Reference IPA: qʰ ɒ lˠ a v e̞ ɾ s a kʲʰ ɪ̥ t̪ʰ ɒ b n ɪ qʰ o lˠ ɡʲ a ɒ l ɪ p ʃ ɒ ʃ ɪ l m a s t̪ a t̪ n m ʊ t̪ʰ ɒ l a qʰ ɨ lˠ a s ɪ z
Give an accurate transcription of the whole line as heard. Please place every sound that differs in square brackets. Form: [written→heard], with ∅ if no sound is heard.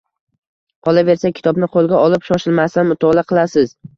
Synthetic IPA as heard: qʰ ɒ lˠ a v e̞ ɾ s a kʲʰ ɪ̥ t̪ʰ ɒ b n ɪ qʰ o lˠ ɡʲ a ɒ l ɪ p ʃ ɒ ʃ ɪ l m a s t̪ a [t̪→∅] n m ʊ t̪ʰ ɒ l a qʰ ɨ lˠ a s ɪ z